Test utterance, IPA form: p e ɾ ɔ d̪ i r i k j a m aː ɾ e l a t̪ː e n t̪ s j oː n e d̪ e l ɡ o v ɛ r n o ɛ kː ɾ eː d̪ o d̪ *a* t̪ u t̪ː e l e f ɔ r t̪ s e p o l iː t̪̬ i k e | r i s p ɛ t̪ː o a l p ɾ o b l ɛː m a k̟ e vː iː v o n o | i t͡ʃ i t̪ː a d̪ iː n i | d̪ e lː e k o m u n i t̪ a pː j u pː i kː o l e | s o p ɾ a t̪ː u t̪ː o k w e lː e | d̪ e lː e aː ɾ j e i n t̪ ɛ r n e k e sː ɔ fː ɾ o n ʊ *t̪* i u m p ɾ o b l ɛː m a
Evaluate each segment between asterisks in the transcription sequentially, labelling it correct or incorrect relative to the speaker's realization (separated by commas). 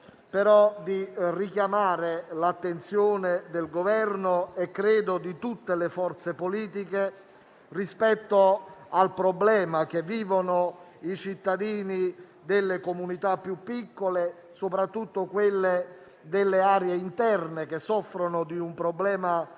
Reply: incorrect, incorrect